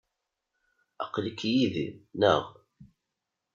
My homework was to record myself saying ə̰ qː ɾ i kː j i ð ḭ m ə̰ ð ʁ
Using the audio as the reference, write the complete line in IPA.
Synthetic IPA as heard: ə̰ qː l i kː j i ð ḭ n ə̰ ʁ